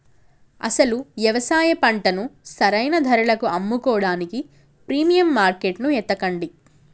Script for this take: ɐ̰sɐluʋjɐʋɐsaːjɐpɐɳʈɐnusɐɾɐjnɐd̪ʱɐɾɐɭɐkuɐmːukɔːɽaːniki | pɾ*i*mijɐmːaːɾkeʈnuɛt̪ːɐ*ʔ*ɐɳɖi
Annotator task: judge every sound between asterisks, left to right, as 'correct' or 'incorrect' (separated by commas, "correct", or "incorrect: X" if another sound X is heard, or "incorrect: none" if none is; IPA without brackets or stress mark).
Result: incorrect: iː, incorrect: k